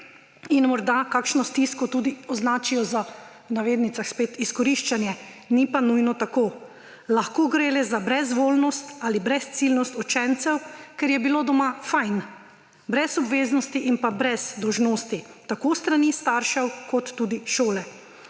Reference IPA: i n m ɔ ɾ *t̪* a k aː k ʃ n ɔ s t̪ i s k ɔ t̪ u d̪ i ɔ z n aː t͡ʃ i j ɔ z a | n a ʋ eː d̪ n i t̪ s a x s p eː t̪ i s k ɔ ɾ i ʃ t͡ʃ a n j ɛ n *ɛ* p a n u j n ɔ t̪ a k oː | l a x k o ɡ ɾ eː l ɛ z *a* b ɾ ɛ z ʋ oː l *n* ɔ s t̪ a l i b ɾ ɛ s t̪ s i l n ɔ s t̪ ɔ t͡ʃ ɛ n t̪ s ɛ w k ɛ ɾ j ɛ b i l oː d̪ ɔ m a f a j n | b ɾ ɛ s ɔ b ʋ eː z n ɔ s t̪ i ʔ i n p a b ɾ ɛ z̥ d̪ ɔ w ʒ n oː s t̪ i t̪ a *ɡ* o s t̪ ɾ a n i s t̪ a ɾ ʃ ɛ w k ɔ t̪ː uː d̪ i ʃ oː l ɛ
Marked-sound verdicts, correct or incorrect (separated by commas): incorrect, incorrect, correct, correct, incorrect